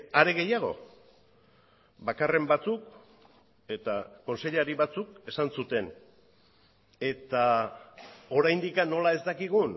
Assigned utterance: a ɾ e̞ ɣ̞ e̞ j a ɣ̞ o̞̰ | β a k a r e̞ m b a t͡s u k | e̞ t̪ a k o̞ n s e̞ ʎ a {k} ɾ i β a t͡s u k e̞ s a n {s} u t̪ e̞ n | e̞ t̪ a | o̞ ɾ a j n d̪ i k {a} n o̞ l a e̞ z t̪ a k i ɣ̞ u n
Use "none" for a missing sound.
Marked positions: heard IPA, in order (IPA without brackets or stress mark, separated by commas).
none, s, a